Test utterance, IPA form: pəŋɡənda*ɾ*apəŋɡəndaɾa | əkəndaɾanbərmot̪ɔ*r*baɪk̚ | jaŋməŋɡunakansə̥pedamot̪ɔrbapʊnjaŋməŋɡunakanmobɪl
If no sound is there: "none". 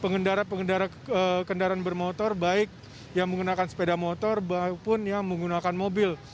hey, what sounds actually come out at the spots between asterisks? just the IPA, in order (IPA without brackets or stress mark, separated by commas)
ɾ, r